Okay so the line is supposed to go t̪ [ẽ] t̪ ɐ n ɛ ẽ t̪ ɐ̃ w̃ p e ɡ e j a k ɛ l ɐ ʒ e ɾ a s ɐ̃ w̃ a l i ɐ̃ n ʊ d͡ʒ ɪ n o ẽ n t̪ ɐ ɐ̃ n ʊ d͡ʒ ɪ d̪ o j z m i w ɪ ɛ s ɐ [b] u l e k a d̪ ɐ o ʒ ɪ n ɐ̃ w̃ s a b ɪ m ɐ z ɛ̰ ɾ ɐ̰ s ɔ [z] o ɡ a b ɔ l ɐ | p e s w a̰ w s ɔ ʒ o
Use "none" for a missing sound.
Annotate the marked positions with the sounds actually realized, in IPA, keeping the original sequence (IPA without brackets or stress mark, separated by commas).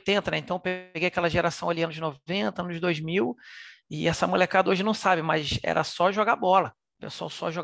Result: ẽ, m, ʒ